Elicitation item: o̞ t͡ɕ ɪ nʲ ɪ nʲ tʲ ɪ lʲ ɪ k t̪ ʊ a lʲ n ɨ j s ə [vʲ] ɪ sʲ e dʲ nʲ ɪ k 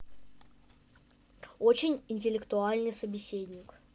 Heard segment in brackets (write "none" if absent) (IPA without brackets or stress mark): bʲ